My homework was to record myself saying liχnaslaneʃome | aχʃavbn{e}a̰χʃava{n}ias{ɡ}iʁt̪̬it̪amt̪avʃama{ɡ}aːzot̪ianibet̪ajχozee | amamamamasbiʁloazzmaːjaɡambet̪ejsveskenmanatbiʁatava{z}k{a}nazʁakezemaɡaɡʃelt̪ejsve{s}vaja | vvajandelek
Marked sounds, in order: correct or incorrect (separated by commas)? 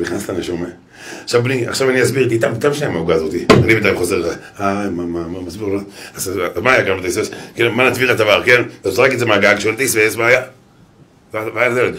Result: incorrect, correct, incorrect, correct, incorrect, incorrect, correct